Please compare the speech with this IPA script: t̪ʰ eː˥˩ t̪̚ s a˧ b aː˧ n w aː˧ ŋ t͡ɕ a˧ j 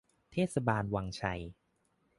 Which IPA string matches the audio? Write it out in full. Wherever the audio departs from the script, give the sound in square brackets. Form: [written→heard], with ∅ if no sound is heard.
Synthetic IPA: t̪ʰ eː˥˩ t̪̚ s a˧ b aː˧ n w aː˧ ŋ [t͡ɕ→t͡ɕʰ] a˧ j